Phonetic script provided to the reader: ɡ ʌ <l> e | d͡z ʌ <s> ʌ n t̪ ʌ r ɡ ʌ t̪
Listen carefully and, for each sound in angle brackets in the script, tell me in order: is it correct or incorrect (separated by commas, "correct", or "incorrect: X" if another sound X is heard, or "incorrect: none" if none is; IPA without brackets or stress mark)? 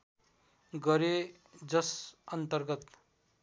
incorrect: ɾ, correct